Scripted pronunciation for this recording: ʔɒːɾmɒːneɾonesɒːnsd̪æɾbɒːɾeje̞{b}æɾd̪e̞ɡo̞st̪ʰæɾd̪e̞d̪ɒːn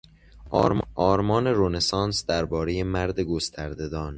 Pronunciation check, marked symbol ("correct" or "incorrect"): incorrect